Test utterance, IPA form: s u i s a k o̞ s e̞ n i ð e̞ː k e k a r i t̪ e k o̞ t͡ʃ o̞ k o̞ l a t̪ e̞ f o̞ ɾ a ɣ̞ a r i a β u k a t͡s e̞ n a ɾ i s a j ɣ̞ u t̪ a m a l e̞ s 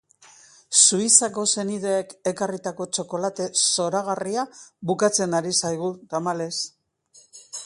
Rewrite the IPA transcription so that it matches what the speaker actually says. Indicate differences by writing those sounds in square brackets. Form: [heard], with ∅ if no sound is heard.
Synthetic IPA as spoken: s u i s a k o̞ s e̞ n i ð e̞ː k e k a r i t̪ [a] k o̞ t͡ʃ o̞ k o̞ l a t̪ e̞ [s] o̞ ɾ a ɣ̞ a r i a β u k a t͡s e̞ n a ɾ i s a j ɣ̞ u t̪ a m a l e̞ s